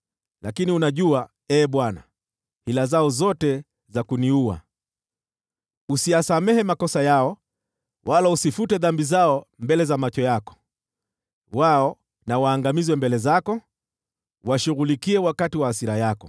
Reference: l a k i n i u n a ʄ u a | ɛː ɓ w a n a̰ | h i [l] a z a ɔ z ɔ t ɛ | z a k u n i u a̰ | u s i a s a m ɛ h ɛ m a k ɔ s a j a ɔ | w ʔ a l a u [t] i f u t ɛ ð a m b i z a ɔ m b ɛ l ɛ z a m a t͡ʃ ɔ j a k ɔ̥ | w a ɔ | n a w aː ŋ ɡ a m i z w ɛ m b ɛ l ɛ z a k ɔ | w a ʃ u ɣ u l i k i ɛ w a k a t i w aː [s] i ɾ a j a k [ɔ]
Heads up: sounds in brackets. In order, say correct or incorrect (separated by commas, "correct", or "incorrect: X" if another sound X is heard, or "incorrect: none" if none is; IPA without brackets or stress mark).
correct, incorrect: s, correct, correct